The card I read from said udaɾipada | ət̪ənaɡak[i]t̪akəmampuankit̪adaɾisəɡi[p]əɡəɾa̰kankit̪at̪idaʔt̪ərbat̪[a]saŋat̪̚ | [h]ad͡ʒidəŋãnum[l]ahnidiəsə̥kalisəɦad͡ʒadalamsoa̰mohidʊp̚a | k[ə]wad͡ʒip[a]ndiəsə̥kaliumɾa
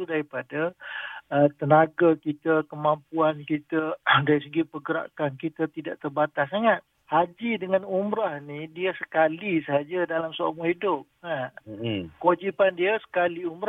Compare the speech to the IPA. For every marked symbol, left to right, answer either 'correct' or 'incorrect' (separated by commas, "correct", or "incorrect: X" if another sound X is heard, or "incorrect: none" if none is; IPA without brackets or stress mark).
correct, correct, correct, correct, incorrect: ɾ, correct, correct